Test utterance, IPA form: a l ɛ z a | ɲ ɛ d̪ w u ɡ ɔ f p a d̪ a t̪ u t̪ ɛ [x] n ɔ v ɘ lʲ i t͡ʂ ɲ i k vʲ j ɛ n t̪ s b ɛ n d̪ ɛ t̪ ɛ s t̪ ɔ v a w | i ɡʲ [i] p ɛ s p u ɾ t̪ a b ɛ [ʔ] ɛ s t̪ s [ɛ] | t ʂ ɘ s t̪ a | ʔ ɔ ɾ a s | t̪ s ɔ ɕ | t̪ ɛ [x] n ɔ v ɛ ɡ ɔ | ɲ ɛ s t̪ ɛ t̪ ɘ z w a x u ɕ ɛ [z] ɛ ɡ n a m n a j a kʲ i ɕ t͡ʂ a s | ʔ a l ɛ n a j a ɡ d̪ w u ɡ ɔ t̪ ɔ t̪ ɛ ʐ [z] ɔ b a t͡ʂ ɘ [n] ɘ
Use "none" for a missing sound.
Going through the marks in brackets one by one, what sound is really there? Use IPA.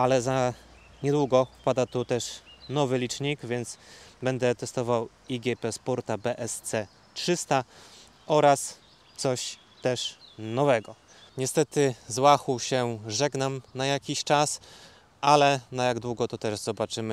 ʂ, ɛ, ʔ, ɛ, ʂ, ʐ, z, m

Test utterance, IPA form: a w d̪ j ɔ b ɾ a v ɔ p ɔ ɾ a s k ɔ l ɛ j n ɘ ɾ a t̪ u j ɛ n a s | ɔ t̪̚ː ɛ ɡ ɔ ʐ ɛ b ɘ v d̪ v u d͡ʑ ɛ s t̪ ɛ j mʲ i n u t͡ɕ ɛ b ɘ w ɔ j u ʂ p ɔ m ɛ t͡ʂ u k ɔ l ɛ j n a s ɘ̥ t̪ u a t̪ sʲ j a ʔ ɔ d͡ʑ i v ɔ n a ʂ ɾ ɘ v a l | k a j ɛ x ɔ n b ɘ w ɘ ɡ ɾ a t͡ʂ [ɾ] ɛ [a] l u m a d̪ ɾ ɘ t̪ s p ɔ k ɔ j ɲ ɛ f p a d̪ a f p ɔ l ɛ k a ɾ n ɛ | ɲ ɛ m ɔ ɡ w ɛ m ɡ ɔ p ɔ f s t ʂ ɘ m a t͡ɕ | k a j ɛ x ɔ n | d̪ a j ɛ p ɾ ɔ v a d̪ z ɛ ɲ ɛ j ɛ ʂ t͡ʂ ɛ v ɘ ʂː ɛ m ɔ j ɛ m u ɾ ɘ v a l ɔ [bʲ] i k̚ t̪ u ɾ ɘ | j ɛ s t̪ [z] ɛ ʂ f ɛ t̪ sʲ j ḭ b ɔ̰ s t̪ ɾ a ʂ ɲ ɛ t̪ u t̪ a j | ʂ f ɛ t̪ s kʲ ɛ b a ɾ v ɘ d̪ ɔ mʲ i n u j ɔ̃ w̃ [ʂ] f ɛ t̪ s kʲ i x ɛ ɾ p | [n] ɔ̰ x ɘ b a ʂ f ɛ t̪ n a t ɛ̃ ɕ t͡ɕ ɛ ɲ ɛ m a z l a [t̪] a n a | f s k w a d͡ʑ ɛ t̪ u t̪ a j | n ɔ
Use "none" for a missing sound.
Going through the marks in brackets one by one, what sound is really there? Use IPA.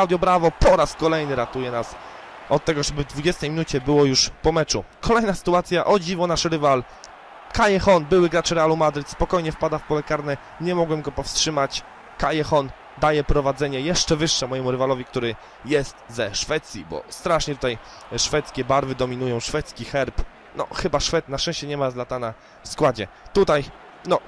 ɾ, a, vʲ, z, ʂ, n, t̪

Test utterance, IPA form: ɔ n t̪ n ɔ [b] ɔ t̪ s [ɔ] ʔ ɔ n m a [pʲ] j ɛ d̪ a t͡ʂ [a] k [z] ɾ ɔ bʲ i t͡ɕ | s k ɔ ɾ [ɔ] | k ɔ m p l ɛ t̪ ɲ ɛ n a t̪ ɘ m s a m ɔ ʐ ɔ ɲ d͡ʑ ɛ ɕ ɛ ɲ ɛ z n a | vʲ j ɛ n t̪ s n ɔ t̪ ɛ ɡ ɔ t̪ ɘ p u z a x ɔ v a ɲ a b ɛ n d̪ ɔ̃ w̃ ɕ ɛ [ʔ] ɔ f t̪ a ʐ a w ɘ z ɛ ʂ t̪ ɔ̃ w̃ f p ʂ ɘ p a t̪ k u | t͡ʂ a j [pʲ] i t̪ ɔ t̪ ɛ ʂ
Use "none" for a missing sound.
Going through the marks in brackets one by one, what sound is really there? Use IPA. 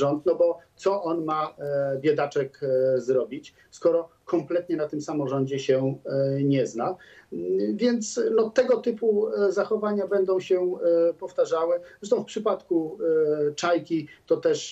b, ɔ, bʲ, ɛ, z, ɔ, p, kʲ

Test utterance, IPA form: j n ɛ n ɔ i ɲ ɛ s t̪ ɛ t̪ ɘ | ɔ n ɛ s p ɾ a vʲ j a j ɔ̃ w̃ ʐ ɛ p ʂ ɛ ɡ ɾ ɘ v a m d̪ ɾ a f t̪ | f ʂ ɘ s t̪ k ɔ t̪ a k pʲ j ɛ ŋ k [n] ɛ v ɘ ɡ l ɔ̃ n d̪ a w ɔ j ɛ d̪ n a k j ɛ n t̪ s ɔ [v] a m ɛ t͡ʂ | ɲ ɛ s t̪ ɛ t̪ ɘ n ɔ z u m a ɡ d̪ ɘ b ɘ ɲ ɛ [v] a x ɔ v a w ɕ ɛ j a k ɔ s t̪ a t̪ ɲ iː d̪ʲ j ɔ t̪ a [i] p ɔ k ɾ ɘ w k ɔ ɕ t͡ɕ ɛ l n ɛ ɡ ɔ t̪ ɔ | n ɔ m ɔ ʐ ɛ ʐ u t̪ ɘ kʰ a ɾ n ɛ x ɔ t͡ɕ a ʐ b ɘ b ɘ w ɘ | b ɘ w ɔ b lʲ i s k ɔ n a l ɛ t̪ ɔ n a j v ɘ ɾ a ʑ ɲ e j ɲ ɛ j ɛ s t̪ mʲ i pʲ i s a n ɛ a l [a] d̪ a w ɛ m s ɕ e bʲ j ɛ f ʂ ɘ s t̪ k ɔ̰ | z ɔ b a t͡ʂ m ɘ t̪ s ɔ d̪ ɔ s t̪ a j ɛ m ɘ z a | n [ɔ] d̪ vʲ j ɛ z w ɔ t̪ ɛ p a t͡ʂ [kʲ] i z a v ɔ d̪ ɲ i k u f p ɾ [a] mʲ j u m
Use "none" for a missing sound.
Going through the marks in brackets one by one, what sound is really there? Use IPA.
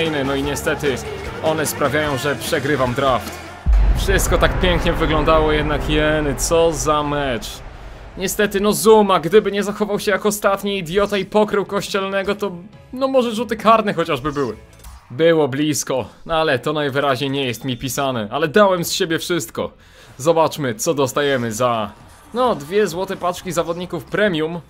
ɲ, z, z, i, ɛ, ɔ, kʲ, ɛ

